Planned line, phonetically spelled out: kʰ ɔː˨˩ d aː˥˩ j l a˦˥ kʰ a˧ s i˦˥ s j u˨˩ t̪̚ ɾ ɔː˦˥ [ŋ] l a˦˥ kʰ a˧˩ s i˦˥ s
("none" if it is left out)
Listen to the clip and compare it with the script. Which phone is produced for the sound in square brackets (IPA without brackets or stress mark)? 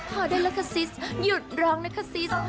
ŋ